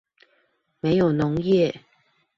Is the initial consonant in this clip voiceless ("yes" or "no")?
no